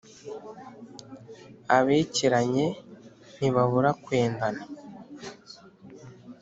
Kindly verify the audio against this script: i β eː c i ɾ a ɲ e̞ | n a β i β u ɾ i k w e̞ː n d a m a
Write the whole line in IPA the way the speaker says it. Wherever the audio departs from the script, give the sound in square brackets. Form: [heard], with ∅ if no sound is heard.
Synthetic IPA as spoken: [a] β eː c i ɾ a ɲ e̞ | n [i] β [a] β u ɾ [a] k w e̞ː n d a [n] a

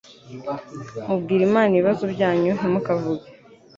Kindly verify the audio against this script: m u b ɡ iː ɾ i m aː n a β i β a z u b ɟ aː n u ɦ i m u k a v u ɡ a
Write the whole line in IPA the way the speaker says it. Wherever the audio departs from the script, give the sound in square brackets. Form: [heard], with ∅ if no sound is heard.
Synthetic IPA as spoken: m u b ɡ iː ɾ i m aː n [i] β i β a z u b ɟ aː [ɲ] u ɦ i m u k a v u ɡ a

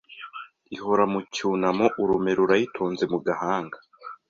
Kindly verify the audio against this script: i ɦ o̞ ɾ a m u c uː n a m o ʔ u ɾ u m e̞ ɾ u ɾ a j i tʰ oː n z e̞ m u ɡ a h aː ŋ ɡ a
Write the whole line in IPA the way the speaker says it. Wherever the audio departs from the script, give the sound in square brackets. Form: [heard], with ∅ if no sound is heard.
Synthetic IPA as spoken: i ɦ o̞ ɾ a m u c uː n a m o ʔ u ɾ u m e̞ ɾ u ɾ a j i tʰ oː n z e̞ m u ɡ a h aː ŋ ɡ a

